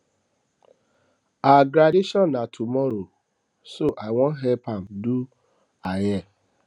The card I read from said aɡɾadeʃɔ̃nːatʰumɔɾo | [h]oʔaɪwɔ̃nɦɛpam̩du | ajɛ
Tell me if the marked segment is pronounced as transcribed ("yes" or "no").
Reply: no